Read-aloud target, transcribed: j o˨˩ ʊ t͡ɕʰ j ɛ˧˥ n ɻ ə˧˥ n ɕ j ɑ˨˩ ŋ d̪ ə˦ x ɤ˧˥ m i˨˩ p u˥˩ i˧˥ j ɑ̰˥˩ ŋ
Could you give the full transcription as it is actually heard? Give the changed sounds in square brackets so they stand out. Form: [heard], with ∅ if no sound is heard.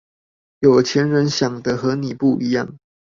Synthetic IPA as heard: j o˨˩ ʊ t͡ɕʰ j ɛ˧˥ n ɻ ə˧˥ n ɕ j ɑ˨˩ ŋ d̪ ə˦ x ɤ˧˥ [n] i˨˩ p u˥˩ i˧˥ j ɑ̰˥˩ ŋ

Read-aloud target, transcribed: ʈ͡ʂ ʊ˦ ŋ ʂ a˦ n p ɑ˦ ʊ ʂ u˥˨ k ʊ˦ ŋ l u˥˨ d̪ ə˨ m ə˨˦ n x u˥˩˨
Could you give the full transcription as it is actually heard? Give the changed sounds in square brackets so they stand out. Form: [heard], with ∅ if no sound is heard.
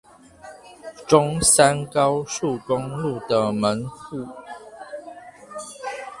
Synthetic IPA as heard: ʈ͡ʂ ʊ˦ ŋ [s] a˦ n [k] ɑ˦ ʊ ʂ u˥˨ k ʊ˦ ŋ l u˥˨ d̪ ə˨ m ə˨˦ n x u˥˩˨

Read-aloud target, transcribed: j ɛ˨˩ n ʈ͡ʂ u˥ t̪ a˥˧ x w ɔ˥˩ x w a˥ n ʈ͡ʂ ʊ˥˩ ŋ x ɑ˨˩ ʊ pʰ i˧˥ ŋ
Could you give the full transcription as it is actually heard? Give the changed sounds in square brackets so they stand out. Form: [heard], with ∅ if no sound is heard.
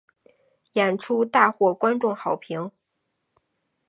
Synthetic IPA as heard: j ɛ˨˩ n [ʈ͡ʂʰ] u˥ t̪ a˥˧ x w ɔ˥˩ [k] w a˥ n ʈ͡ʂ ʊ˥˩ ŋ x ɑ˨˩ ʊ pʰ i˧˥ ŋ

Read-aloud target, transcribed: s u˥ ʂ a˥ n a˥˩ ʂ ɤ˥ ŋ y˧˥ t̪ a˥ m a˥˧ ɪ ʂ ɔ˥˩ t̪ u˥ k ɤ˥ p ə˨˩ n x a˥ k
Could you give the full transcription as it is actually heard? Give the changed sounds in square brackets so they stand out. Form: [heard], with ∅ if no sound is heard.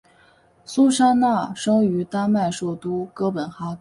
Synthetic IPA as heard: s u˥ ʂ a˥ n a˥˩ ʂ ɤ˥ ŋ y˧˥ t̪ a˥ m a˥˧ ɪ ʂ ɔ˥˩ t̪ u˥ k ɤ˥ p ə˨˩ n x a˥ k

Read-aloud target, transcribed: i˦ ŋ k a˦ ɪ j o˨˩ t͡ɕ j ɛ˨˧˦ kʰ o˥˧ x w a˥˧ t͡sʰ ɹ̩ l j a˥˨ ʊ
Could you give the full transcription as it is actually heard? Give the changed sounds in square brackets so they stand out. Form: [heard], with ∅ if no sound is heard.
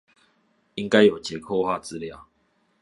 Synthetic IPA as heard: i˦ ŋ k a˦ ɪ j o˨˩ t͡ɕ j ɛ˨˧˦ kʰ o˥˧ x w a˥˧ [t͡s] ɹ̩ l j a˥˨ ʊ

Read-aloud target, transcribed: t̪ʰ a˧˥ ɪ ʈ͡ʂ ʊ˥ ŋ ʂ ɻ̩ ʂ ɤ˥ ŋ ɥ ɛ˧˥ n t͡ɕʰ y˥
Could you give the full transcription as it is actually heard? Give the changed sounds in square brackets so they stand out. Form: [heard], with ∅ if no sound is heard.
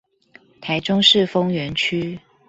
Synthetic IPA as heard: t̪ʰ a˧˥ ɪ ʈ͡ʂ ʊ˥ ŋ ʂ ɻ̩ [f] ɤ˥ ŋ ɥ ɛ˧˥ n t͡ɕʰ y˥

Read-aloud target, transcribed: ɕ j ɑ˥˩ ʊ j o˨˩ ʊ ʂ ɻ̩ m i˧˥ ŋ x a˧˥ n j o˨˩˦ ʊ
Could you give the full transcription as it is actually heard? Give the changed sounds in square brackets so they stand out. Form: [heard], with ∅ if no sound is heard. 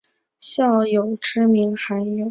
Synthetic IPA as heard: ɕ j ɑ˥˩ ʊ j o˨˩ ʊ [ʈ͡ʂ] ɻ̩ m i˧˥ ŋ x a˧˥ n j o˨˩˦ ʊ

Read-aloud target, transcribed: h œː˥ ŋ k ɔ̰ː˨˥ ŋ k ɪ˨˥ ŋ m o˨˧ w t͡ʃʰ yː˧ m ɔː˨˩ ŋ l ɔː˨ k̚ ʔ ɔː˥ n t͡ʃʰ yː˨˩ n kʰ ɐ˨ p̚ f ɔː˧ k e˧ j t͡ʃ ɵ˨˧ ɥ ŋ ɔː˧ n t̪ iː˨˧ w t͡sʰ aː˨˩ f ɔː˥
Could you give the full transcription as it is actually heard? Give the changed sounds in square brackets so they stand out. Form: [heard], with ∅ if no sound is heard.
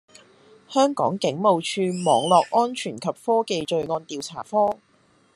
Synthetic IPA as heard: h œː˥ ŋ k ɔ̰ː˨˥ ŋ k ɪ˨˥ ŋ m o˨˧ w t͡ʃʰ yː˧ m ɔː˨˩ ŋ l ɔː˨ k̚ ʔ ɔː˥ n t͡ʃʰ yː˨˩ n kʰ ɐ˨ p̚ f [ɔː˥] k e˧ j t͡ʃ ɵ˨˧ ɥ ŋ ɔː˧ n t̪ iː˨˧ w t͡sʰ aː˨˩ f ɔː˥

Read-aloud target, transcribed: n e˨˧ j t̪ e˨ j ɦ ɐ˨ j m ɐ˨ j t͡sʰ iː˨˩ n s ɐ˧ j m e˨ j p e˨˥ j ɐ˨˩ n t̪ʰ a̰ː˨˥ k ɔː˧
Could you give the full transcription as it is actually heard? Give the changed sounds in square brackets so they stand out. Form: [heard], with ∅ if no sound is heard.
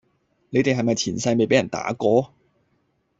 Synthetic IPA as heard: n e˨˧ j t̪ e˨ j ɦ ɐ˨ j m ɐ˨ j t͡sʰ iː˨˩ n s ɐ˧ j m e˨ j p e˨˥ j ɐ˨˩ n [t̪] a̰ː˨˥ k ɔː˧

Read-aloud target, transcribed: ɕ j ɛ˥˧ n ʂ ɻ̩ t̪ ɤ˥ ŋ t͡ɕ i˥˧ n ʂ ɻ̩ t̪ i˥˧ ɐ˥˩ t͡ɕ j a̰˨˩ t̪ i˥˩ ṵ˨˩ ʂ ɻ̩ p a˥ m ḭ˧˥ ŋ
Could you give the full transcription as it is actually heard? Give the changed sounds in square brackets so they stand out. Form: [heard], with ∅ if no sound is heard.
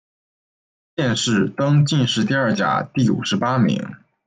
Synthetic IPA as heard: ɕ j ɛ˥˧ n ʂ ɻ̩ t̪ ɤ˥ ŋ t͡ɕ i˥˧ n ʂ ɻ̩ t̪ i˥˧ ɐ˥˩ t͡ɕ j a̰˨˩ t̪ i˥˩ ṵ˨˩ ʂ ɻ̩ p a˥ m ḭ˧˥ ŋ

